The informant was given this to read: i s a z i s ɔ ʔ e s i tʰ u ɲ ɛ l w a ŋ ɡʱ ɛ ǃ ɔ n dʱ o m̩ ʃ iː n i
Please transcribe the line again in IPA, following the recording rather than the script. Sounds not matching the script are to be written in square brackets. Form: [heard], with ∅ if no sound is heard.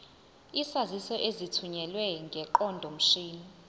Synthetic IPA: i s a z i s ɔ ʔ e [z] i tʰ u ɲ ɛ l w [ɛ] ŋ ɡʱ ɛ ǃ ɔ n dʱ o m̩ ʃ iː n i